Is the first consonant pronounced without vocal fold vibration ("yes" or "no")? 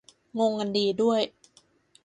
no